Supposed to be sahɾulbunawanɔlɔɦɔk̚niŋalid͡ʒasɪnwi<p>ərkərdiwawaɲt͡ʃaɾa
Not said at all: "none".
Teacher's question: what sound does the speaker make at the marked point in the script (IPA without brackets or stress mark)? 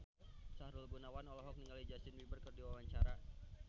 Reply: b